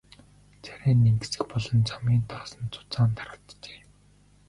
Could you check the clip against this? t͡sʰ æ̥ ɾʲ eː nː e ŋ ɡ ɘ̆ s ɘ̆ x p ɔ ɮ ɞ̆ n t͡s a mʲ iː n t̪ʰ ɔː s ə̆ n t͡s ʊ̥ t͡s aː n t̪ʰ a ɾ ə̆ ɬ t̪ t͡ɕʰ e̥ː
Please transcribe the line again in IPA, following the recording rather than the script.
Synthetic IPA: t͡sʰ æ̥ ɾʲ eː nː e ŋ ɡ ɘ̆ s ɘ̆ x p ɔ ɮ ɞ̆ n t͡s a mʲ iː n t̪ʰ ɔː s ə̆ n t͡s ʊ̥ t͡s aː n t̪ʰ a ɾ ə̆ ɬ t̪ t͡ɕ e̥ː